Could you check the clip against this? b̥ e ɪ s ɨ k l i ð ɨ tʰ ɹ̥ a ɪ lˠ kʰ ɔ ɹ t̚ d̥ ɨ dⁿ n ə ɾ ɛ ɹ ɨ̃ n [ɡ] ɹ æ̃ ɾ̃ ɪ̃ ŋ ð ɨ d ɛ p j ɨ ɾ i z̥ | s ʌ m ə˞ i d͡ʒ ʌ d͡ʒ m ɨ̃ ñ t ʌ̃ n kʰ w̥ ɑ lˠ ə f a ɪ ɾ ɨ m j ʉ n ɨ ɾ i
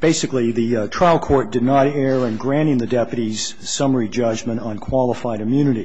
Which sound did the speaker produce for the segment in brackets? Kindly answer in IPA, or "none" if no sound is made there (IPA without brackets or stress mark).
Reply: ɡ